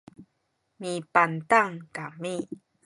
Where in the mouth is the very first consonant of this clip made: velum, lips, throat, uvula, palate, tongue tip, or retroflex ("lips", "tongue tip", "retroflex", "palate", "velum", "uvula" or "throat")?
lips